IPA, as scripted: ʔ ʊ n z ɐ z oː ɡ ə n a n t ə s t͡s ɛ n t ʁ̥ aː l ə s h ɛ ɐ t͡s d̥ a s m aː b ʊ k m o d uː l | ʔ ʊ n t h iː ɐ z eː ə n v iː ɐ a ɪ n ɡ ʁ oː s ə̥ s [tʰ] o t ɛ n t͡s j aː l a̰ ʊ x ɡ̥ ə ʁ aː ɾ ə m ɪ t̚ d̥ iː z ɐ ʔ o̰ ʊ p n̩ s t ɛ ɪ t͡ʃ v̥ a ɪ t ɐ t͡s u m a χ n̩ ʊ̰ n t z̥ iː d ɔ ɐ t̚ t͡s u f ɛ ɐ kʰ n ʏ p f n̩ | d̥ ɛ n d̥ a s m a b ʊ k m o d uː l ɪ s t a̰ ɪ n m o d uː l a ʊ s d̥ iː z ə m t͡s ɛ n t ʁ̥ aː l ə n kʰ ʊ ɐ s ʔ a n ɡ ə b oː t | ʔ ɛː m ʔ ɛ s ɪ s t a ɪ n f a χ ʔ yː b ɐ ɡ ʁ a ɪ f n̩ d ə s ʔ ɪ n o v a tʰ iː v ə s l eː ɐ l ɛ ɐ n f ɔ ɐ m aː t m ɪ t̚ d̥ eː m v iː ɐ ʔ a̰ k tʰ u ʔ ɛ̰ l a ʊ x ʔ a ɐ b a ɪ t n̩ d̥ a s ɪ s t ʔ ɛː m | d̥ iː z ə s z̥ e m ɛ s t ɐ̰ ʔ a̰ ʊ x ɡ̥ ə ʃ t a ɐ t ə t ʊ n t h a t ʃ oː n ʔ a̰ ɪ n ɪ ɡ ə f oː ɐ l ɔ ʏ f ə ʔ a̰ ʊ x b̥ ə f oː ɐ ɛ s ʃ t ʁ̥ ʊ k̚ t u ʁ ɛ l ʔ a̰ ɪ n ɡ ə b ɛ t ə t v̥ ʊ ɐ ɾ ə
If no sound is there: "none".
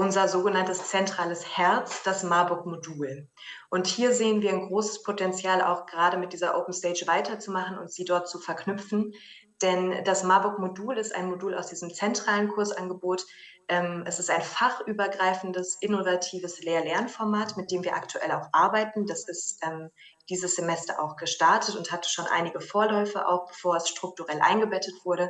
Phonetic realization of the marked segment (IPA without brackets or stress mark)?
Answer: pʰ